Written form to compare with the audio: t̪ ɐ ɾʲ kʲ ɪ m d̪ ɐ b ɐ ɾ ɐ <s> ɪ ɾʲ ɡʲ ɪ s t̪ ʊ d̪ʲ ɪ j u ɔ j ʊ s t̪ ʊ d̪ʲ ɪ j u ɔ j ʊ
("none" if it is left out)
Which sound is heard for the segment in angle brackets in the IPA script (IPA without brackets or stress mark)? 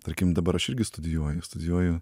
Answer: ʃ